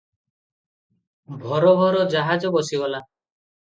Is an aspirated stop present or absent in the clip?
absent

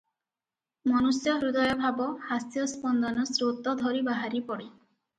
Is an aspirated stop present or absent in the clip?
absent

